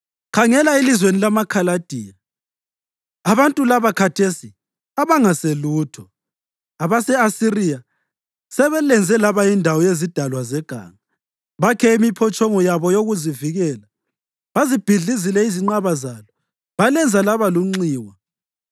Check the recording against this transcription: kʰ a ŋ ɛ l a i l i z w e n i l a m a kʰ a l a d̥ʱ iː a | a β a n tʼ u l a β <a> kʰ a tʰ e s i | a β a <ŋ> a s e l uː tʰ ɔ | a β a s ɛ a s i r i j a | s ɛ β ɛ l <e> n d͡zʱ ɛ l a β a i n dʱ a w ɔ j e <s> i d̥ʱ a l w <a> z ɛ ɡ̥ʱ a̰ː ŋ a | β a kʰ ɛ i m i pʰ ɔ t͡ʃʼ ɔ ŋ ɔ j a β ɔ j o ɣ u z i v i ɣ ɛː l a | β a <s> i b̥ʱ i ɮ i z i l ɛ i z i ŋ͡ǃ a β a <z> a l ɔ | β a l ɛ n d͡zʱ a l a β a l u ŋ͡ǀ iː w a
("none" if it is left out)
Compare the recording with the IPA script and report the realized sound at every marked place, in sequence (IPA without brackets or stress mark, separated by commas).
a, ŋ, ɛ, z, a, z, z